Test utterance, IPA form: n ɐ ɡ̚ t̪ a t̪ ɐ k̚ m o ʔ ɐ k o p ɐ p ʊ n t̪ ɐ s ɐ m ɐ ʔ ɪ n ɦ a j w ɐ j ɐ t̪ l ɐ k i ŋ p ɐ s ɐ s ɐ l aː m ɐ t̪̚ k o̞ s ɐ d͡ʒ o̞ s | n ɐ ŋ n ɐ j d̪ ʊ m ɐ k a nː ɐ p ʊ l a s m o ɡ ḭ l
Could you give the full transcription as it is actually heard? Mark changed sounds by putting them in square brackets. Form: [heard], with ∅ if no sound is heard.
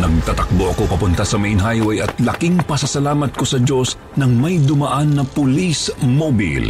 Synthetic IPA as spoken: n ɐ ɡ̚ t̪ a t̪ ɐ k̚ [b] o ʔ ɐ k o p ɐ p ʊ n t̪ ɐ s ɐ m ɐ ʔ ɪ n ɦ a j w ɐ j ɐ t̪ l ɐ k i ŋ p ɐ s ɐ s ɐ l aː m ɐ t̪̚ k o̞ s ɐ d͡ʒ o̞ s | n ɐ ŋ [m] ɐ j d̪ ʊ m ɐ [ʔ] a nː ɐ p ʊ l [i] s m o [b] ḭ l